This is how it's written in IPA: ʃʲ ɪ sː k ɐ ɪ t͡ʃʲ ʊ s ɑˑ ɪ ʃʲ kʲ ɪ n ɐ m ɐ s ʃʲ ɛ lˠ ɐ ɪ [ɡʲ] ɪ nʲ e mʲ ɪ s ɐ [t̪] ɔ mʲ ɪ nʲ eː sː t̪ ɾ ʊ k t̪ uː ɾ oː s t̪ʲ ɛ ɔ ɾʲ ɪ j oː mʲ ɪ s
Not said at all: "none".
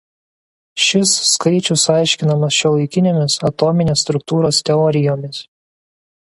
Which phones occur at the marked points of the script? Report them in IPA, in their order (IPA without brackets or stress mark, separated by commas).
kʲ, t̪